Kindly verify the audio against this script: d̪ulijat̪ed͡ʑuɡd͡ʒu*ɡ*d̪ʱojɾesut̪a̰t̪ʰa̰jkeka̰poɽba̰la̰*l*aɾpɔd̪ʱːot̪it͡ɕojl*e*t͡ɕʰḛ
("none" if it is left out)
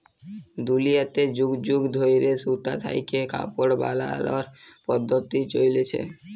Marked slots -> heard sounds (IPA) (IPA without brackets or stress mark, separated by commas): ɡ, l, e